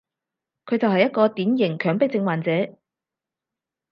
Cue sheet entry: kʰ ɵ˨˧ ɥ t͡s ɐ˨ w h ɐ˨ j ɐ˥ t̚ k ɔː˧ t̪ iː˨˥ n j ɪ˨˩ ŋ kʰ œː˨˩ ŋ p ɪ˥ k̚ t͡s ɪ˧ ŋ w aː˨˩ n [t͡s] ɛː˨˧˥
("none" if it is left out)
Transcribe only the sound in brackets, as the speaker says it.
t͡s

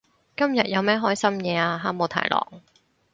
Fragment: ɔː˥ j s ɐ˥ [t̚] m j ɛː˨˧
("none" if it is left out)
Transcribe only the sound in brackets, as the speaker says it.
none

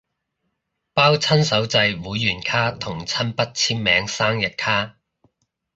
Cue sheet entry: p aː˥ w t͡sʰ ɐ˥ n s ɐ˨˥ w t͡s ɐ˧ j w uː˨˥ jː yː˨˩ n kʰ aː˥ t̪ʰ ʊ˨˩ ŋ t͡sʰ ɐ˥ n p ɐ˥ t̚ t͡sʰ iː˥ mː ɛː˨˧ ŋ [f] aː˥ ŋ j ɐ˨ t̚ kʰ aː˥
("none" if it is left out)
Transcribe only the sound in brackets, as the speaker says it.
s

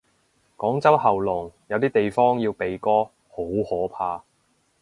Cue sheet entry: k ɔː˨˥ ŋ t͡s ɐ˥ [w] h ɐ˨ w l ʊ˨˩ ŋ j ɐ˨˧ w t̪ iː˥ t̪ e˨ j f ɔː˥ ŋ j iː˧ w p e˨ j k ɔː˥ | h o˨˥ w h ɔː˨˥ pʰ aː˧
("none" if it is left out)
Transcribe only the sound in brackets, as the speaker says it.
w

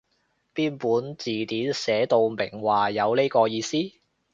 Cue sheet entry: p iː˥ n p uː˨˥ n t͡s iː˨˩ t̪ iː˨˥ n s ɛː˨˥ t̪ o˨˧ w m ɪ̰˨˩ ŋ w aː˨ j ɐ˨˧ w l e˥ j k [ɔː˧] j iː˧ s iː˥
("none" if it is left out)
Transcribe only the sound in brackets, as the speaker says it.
ɔː˧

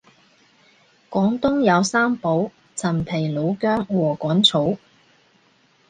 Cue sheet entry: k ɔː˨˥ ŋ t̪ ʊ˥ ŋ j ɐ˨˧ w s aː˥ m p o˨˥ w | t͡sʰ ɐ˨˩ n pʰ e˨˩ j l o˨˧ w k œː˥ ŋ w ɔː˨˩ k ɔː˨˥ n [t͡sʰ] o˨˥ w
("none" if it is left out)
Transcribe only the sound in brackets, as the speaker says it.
t͡sʰ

